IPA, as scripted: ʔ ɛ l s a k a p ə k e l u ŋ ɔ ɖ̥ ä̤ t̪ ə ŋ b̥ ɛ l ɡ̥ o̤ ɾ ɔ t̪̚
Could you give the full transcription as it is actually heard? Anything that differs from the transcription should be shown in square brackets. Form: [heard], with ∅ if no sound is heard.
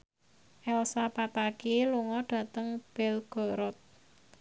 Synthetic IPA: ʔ ɛ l s a [p] a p [a] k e l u ŋ ɔ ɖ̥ ä̤ t̪ ə ŋ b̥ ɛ l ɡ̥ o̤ ɾ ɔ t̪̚